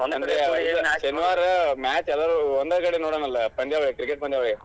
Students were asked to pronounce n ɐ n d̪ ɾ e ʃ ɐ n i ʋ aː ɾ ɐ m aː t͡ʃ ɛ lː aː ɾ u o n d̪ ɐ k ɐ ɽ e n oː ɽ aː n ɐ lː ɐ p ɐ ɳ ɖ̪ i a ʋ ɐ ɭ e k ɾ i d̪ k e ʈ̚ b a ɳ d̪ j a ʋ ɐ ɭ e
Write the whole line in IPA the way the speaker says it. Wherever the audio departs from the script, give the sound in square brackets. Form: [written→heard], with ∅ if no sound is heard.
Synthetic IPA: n ɐ n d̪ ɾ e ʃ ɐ n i ʋ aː ɾ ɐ m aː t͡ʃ ɛ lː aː ɾ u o n d̪ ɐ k ɐ ɽ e n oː ɽ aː n ɐ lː ɐ p ɐ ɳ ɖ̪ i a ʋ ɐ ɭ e k ɾ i [d̪→∅] k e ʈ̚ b [a→ɐ] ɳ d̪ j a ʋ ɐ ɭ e